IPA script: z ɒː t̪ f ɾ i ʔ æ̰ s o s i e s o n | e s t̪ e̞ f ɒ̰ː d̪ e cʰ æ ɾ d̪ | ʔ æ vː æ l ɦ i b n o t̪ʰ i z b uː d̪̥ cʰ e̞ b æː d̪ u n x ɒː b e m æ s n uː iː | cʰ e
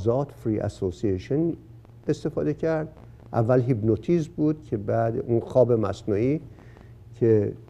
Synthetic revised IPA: z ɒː t̪ f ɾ i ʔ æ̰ s o s i e ʃ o n | e s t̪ e̞ f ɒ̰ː d̪ e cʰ æ ɾ d̪ | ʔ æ vː æ l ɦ i b n o t̪ʰ i z b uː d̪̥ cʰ e̞ b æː d̪ u n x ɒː b e m æ s n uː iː | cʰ e

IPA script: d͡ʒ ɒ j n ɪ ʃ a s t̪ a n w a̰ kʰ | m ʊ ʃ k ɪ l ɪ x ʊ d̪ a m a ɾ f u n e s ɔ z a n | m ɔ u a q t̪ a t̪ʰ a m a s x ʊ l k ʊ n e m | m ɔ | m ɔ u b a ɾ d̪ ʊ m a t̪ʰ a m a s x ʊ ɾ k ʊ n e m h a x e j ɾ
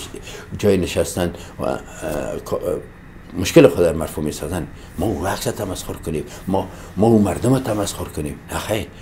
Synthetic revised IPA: d͡ʒ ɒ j n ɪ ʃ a s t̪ a n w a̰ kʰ | m ʊ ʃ k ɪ l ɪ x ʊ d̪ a m a ɾ f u m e s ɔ z a n | m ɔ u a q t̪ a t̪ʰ a m a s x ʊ ɾ k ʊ n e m | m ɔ | m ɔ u m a ɾ d̪ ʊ m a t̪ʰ a m a s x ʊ ɾ k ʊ n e m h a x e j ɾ

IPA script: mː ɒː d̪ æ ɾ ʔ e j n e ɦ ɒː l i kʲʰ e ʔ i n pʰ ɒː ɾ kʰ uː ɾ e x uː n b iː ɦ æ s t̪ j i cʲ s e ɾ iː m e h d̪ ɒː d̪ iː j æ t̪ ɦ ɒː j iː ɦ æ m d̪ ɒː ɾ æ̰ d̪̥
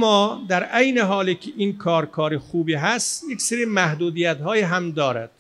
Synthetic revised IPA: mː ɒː d̪ æ ɾ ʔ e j n e ɦ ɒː l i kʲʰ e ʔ i n kʰ ɒː ɾ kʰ ɒː ɾ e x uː b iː ɦ æ s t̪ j e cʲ s e ɾ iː m æ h d̪ uː d̪ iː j æ t̪ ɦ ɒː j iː ɦ æ m d̪ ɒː ɾ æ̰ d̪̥

